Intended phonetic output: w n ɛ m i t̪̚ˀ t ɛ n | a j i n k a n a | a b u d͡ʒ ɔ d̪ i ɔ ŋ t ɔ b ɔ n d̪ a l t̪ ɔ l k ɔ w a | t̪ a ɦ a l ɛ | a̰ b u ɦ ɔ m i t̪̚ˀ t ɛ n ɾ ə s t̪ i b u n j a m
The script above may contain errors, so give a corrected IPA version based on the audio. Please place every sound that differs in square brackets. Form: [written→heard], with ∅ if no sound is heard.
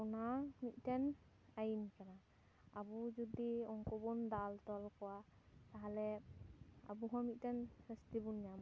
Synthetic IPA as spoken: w n [ɛ→a] m i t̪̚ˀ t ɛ n | a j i n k a n a | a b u d͡ʒ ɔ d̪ i ɔ ŋ [t→k] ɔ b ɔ n d̪ a l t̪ ɔ l k ɔ w a | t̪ a ɦ a l ɛ | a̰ b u ɦ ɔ m i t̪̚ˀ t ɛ n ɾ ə s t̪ i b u n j a m